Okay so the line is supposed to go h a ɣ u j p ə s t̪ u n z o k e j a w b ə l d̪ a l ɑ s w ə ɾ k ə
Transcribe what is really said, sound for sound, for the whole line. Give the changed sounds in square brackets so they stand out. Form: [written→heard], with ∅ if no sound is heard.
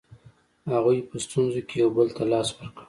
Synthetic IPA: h a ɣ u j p ə s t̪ u n z o k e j a w b ə l [d̪→t̪] a l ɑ s w ə ɾ k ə